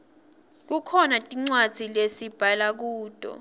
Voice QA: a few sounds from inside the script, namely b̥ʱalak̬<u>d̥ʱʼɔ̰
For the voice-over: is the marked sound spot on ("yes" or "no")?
no